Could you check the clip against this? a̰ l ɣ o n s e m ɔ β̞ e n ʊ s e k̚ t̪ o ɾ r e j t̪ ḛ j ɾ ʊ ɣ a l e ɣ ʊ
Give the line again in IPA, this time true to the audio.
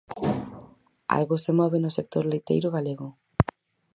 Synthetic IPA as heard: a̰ l ɣ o s e m ɔ β̞ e n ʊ s e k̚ t̪ o ɾ l e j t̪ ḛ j ɾ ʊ ɣ a l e ɣ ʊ